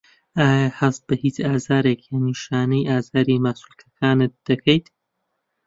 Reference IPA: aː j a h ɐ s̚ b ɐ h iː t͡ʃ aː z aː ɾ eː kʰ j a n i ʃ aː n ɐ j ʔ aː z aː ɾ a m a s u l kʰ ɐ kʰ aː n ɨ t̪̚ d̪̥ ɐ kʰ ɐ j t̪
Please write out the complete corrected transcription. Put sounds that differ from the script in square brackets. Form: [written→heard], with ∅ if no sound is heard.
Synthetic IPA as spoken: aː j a h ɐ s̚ b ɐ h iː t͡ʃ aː z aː ɾ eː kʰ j a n i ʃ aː n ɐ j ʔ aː z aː ɾ [a→i] m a s u l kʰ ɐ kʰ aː n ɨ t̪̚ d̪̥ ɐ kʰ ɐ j t̪